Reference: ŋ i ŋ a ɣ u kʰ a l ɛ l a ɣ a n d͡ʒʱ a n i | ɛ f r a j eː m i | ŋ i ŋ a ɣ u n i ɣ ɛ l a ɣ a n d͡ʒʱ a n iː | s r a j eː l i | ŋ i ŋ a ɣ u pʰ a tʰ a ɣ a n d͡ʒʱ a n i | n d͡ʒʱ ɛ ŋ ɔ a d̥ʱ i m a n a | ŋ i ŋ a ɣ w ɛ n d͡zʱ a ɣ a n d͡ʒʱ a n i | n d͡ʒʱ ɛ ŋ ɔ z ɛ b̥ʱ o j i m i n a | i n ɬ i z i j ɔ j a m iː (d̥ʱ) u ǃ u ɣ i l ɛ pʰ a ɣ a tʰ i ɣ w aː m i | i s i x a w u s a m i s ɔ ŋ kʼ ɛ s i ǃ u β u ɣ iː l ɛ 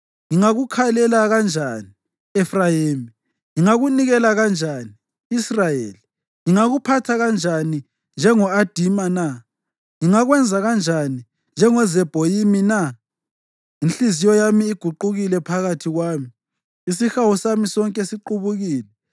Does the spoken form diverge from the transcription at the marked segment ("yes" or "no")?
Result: yes